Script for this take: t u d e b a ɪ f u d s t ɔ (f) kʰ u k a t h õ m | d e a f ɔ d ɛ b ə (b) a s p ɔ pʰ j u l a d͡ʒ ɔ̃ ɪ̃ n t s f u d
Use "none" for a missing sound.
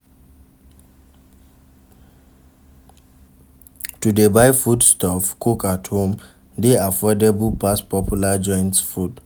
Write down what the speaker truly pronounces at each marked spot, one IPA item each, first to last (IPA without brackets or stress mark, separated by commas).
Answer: f, p